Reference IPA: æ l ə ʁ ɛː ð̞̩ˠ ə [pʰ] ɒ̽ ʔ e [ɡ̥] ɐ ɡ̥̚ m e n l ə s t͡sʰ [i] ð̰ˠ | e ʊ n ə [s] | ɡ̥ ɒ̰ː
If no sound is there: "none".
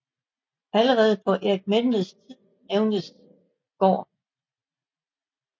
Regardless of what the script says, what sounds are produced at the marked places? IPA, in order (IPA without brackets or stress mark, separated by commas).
pʰ, none, i, s